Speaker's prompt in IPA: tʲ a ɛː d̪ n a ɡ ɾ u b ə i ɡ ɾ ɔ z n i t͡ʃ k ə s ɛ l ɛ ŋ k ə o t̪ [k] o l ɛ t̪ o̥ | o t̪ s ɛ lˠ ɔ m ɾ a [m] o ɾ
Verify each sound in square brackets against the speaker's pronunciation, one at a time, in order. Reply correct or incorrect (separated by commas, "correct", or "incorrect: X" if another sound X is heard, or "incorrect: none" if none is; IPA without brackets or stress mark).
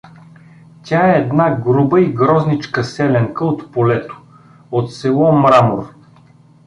incorrect: p, correct